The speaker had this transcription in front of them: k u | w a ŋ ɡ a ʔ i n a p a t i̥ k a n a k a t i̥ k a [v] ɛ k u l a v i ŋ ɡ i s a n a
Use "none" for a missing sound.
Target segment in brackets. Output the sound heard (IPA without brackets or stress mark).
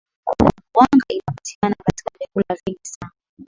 v